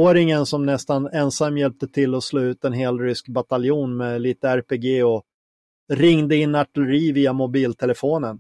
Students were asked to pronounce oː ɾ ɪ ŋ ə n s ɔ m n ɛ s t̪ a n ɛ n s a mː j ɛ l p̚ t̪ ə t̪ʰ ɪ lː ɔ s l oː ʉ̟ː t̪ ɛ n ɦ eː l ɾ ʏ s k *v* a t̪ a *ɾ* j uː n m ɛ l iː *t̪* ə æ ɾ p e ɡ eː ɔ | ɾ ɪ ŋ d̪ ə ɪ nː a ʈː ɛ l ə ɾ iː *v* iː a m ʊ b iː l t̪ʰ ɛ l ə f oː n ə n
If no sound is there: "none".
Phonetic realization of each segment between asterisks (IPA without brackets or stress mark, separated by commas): b, l, t̪, v